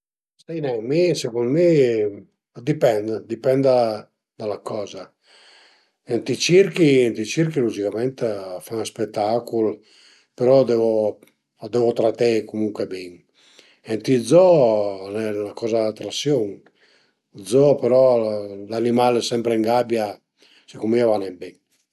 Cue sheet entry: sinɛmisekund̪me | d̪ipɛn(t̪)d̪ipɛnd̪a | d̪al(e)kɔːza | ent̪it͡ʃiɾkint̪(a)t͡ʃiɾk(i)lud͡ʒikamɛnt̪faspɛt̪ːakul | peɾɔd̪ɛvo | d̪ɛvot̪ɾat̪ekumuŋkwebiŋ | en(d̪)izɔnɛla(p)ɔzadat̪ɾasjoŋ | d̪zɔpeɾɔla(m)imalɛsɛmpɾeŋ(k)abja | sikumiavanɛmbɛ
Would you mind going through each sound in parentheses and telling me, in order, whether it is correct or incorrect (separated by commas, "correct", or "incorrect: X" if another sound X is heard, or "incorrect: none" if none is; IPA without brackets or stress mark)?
incorrect: d̪, incorrect: a, incorrect: i, correct, incorrect: t̪, incorrect: k, incorrect: n, incorrect: ɡ